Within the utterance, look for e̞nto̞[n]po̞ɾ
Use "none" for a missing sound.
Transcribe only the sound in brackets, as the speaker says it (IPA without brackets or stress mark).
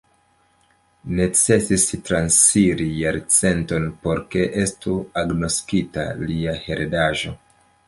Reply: n